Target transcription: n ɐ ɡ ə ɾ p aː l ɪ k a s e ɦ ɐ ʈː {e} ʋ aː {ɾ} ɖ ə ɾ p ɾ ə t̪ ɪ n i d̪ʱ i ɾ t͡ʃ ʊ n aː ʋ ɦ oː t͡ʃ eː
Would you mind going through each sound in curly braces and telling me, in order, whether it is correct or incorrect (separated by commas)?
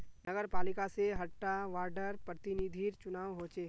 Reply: incorrect, correct